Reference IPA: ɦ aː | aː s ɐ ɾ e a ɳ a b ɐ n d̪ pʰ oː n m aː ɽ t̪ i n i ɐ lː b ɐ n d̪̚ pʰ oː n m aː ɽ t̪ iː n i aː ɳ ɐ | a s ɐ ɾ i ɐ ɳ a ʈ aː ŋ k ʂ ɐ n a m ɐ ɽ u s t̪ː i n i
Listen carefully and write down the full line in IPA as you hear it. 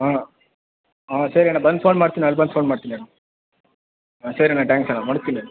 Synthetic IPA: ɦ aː | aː s ɐ ɾ i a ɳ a b ɐ n d̪ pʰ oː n m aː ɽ t̪ i n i ɐ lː b ɐ n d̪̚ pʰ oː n m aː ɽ t̪ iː n i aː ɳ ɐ | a s ɐ ɾ i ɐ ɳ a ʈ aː ŋ k s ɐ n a m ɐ ɽ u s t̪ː i n i

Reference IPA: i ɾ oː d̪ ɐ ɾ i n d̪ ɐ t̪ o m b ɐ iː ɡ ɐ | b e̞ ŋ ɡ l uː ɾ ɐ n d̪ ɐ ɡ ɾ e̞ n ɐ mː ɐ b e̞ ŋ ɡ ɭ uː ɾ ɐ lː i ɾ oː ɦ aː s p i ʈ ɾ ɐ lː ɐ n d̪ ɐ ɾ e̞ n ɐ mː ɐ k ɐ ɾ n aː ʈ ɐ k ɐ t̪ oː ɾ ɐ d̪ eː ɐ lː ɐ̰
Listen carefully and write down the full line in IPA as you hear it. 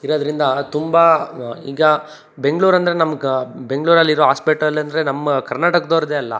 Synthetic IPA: i ɾ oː d̪ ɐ ɾ i n d̪ ɐ t̪ u m b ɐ iː ɡ ɐ | b e̞ ŋ ɡ ɭ uː ɾ ɐ n d̪ ɐ ɾ e̞ n ɐ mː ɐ b e̞ ŋ ɡ ɭ uː ɾ ɐ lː i ɾ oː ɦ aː s p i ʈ ɾ ɐ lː ɐ n d̪ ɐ ɾ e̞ n ɐ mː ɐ k ɐ ɾ n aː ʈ ɐ k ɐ d̪ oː ɾ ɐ d̪ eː ɐ lː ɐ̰

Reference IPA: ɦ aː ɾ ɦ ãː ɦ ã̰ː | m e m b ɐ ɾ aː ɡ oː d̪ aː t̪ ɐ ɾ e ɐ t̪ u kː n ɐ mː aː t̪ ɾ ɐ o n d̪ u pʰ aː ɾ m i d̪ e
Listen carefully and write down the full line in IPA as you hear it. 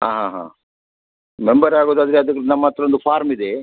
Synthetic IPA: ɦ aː ɦ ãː ɦ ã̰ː | m e m b ɐ ɾ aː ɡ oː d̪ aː d̪ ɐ ɾ e ɐ d̪ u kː n ɐ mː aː t̪ ɾ ɐ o n d̪ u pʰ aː ɾ m i d̪ e

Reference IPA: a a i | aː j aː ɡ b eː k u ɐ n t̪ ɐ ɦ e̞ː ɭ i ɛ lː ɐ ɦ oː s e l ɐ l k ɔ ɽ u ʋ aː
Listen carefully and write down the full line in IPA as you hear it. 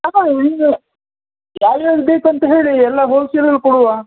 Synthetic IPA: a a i | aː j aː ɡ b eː k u ɐ n t̪ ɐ ɦ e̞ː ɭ i ɛ lː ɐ ɦ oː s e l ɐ l k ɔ ɽ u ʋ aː

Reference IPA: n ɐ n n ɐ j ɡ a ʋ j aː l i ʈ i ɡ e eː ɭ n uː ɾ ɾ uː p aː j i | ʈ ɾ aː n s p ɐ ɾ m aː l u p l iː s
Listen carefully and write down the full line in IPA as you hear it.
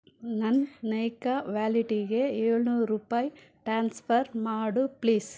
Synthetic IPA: n ɐ n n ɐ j k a ʋ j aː l i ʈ i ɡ e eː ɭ n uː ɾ ɾ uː p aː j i | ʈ ɾ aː n s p ɐ ɾ m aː ɽ u p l iː s

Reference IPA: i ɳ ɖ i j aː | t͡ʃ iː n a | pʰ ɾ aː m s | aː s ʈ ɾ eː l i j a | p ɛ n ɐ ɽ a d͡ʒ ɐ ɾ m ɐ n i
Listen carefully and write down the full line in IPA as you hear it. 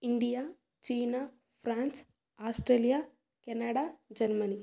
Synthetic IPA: i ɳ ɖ i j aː | t͡ʃ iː n a | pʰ ɾ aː n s | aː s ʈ ɾ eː l i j a | k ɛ n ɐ ɽ a d͡ʒ ɐ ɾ m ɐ n i

